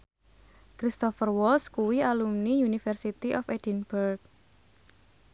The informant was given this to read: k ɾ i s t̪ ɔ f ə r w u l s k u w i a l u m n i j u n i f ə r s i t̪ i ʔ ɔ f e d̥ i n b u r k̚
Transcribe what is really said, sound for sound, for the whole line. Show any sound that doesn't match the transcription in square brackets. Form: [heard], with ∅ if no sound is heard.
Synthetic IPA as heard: k ɾ i s t̪ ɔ f ə r w [ɔ] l s k u w i a l u m n i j u n i f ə r s i t̪ i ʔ ɔ f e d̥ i n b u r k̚